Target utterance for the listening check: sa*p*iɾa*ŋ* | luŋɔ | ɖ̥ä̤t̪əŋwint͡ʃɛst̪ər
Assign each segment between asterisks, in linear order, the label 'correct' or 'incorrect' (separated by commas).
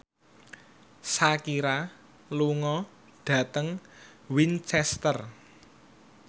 incorrect, incorrect